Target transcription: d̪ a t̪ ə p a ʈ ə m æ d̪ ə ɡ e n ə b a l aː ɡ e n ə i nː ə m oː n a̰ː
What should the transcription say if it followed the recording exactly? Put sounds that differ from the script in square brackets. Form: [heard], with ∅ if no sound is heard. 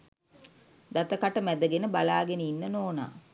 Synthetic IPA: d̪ a t̪ ə [k] a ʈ ə m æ d̪ ə ɡ e n ə b a l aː ɡ e n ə i nː ə [n] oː n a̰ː